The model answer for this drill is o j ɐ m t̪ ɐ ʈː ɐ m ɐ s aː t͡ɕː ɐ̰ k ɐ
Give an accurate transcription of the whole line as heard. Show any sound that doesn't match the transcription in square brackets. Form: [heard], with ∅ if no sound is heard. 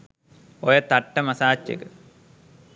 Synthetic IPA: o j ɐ [∅] t̪ ɐ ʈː ɐ m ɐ s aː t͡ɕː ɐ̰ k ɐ